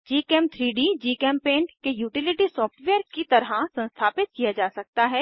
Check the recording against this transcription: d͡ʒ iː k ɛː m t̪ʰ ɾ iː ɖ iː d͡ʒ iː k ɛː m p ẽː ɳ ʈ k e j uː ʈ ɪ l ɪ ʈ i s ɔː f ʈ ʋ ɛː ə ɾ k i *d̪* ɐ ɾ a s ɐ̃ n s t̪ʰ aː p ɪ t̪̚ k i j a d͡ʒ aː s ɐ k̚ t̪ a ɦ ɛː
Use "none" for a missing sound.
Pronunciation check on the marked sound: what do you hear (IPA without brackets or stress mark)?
t̪